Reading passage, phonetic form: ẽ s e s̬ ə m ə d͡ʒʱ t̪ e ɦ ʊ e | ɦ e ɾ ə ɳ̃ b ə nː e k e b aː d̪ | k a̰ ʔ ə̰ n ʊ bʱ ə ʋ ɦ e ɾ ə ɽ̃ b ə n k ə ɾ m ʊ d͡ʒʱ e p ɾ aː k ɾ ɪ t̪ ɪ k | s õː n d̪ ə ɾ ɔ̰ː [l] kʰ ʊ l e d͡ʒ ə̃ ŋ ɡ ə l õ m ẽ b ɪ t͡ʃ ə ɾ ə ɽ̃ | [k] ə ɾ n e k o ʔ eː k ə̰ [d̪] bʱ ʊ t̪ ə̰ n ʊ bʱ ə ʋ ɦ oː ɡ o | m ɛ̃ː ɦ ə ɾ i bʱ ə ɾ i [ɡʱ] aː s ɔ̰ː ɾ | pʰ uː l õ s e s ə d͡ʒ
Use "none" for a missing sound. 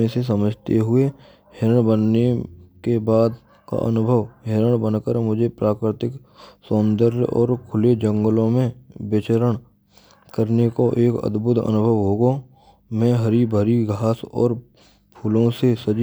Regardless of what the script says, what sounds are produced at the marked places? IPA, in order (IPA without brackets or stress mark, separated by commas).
ɾ, k, d̪, ɡʱ